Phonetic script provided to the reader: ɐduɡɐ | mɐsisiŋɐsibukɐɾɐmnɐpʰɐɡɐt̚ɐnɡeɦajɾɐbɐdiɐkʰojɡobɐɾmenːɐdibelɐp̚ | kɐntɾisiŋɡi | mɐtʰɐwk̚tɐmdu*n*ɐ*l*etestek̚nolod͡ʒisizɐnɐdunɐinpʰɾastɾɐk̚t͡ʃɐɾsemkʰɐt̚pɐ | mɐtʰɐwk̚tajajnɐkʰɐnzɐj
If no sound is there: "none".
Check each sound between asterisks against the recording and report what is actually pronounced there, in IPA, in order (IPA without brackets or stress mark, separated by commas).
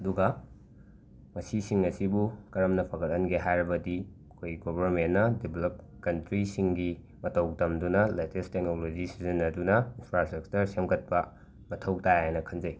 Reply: n, l